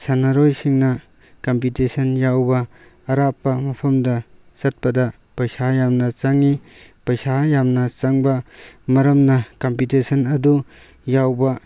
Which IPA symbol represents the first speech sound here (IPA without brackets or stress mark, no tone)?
s